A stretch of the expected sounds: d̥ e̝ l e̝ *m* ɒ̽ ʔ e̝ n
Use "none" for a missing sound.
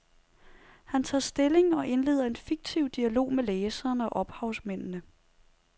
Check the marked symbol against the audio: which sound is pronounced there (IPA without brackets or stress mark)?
ŋ